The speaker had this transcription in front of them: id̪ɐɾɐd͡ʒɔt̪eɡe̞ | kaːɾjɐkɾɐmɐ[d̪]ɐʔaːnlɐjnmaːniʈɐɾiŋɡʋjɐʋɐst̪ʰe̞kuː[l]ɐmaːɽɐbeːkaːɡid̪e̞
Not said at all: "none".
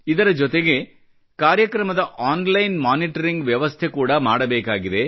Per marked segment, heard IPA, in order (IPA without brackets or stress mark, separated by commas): d̪, ɽ